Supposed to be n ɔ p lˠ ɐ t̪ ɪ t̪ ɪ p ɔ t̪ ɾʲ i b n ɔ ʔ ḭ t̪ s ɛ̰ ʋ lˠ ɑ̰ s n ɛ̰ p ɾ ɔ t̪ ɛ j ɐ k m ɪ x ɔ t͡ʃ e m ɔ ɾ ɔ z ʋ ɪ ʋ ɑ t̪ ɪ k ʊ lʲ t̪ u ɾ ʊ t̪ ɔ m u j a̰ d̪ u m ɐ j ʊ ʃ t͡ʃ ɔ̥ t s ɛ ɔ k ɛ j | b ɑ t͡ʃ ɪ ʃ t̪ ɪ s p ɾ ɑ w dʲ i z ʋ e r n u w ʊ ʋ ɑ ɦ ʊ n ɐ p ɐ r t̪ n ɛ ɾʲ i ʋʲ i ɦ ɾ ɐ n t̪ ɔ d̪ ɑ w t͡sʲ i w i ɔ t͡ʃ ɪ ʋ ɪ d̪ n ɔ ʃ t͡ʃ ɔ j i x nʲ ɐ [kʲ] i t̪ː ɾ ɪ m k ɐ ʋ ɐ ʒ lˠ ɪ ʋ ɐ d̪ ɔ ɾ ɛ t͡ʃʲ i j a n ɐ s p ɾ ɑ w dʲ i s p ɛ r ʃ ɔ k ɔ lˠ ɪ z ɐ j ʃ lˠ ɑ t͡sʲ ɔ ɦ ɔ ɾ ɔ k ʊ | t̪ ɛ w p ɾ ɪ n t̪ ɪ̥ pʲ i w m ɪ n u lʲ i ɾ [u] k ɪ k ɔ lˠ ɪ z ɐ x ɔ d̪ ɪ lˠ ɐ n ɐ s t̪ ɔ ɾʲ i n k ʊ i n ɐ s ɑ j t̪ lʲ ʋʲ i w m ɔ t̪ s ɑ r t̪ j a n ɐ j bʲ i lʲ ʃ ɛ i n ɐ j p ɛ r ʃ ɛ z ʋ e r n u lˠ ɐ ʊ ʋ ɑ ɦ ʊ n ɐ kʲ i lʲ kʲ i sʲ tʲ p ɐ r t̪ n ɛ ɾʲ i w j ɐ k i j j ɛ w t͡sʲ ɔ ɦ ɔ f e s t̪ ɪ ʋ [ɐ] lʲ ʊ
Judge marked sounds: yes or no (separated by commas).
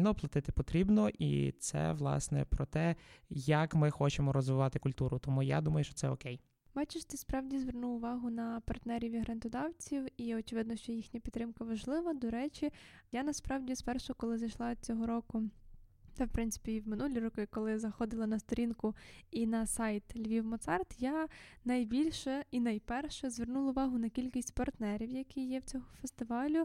no, no, no